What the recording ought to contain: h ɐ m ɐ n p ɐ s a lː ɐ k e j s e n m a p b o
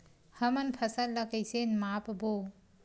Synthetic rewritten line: h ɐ m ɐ n pʰ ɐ s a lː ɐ k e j s e n m a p b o